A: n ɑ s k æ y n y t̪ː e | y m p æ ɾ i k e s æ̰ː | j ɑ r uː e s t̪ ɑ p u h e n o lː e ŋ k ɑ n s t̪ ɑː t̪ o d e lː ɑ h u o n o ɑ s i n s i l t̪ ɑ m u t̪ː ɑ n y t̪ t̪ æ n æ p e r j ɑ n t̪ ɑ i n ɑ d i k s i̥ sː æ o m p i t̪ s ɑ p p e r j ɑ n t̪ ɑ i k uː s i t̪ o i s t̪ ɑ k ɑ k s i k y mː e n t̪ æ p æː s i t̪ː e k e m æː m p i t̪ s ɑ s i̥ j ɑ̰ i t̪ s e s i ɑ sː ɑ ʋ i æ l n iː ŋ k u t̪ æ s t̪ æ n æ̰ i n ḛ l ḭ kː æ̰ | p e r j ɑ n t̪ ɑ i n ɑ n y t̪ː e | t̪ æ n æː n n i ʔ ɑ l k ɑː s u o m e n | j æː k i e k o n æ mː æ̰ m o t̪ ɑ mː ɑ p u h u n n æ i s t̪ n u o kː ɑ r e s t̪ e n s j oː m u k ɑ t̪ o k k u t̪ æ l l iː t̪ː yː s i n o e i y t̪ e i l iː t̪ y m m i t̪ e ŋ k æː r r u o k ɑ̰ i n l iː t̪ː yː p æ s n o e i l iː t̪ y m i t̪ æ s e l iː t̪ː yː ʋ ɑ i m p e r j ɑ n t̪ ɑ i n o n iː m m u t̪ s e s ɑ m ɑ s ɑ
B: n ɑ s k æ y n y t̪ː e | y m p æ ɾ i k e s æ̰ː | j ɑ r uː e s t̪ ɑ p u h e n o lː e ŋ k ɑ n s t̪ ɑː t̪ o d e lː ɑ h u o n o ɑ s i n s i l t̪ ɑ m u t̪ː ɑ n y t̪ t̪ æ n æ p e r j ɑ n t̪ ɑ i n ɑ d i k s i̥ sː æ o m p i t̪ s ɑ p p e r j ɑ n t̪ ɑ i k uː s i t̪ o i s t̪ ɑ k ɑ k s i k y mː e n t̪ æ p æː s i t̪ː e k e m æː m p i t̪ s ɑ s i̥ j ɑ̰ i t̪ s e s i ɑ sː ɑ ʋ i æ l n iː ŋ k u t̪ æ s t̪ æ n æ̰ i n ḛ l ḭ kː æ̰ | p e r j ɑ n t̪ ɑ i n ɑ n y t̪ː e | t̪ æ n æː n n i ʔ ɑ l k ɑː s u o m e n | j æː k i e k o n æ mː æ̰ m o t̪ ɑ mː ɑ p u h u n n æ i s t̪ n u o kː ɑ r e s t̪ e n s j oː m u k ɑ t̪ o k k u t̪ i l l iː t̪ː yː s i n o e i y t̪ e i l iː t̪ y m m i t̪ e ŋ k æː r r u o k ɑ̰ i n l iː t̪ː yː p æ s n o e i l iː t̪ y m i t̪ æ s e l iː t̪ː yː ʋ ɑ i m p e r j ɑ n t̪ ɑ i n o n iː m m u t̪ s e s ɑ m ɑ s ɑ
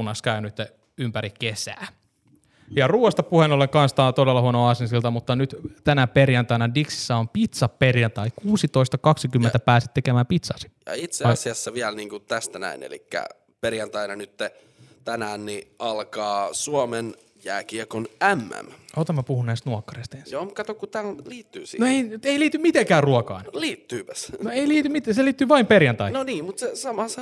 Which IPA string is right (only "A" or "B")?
A